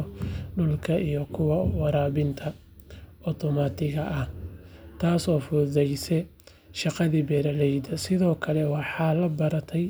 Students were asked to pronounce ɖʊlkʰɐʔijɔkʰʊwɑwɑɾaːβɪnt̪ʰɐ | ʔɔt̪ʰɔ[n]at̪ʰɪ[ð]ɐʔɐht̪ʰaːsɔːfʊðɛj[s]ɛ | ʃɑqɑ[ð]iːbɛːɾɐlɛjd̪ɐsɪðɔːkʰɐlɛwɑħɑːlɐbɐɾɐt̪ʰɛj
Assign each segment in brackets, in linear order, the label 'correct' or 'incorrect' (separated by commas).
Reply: incorrect, incorrect, correct, correct